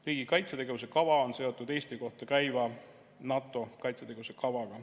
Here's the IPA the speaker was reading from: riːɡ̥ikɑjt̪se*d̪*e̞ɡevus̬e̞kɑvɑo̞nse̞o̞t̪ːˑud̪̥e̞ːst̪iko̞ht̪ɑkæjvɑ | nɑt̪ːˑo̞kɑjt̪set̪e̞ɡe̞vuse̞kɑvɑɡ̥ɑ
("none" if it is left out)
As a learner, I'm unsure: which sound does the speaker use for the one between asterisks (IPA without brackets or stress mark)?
t̪